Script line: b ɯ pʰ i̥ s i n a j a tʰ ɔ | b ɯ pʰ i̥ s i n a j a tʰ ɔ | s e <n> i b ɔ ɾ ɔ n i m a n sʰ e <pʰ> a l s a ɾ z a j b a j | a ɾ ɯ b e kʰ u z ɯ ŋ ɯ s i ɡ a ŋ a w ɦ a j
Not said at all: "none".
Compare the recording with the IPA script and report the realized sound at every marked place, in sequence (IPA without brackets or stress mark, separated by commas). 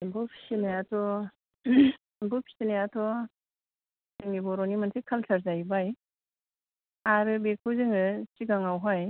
ŋ, kʰ